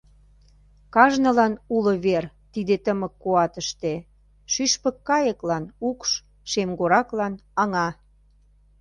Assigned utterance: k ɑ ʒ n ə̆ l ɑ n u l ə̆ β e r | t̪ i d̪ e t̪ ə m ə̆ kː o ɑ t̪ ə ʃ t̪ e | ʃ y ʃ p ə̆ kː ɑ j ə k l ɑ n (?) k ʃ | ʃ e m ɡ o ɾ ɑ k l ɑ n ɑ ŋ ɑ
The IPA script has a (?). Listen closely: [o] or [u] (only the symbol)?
u